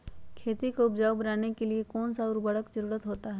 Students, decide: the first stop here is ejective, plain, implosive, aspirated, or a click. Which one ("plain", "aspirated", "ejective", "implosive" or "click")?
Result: aspirated